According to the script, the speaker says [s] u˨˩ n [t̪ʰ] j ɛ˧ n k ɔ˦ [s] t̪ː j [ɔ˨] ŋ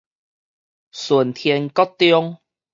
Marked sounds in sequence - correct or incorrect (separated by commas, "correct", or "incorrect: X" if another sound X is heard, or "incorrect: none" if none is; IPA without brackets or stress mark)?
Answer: correct, correct, incorrect: none, incorrect: ɔ˦